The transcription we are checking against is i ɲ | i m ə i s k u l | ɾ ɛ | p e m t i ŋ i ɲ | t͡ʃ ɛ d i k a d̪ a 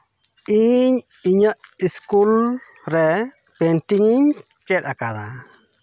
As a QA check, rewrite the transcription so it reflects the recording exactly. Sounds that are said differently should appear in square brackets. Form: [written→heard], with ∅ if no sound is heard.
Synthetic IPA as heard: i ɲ | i [m→ɲ] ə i s k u l | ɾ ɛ | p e [m→n] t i ŋ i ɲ | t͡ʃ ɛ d [i→a] k a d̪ a